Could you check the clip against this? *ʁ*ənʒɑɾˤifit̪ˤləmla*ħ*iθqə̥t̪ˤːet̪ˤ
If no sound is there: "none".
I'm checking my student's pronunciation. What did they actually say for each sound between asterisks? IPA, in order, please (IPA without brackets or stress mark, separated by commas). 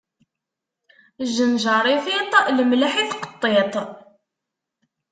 ʒ, ħ